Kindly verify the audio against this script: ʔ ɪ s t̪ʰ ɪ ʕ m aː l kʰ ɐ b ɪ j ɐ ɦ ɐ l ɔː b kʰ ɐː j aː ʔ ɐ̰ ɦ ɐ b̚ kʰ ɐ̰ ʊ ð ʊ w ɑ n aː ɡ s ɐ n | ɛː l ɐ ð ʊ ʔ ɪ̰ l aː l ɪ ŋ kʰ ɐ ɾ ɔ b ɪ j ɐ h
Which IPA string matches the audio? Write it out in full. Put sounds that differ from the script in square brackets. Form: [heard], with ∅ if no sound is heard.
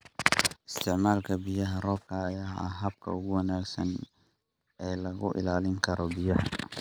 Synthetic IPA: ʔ ɪ s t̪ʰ ɪ ʕ m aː l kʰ ɐ b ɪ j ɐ ɦ ɐ [r] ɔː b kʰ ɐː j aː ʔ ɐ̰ ɦ ɐ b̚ kʰ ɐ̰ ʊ [ɣ] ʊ w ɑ n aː ɡ s ɐ n | ɛː l ɐ [ɣ] ʊ ʔ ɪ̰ l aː l ɪ ŋ kʰ ɐ ɾ ɔ b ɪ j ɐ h